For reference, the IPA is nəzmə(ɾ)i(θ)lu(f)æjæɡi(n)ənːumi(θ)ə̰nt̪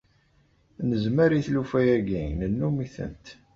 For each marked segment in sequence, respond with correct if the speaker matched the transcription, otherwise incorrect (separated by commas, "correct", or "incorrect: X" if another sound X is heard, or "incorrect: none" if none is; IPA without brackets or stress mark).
correct, correct, correct, correct, correct